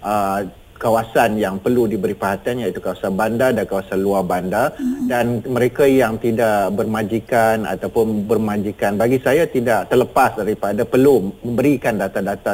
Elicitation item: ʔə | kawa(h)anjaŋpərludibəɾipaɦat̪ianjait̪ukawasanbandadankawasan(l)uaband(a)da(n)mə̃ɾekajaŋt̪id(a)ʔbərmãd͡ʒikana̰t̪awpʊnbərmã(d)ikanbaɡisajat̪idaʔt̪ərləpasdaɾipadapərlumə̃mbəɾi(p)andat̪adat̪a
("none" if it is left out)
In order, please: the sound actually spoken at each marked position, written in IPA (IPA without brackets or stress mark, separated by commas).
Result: s, l, a, n, a, d͡ʒ, k